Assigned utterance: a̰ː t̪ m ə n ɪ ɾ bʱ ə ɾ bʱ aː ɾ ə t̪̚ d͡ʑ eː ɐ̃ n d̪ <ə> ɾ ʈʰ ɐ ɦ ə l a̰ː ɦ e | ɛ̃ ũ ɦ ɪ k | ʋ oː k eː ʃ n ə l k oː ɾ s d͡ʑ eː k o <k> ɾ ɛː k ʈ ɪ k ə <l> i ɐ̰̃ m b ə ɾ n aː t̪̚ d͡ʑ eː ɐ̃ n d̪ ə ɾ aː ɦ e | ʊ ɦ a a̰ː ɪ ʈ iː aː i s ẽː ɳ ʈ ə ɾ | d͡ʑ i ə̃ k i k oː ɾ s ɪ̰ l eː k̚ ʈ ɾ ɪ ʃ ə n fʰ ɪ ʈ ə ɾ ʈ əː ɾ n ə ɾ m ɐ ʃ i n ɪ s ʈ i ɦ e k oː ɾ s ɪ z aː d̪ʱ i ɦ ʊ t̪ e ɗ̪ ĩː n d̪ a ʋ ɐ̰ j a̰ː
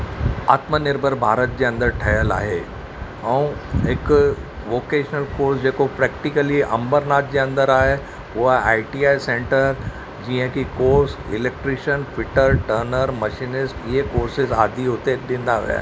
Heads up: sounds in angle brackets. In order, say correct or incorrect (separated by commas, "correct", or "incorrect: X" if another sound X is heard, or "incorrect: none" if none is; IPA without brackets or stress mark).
correct, incorrect: p, correct